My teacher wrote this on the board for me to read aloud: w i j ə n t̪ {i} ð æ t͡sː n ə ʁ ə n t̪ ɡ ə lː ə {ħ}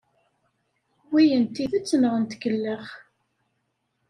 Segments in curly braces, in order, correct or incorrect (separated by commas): correct, incorrect